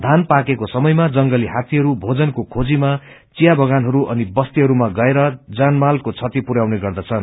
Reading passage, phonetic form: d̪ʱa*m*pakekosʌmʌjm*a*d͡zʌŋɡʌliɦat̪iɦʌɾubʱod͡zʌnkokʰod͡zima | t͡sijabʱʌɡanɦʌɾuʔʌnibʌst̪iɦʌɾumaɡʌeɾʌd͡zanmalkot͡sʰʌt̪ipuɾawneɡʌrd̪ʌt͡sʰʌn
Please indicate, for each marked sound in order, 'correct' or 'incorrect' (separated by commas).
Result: incorrect, correct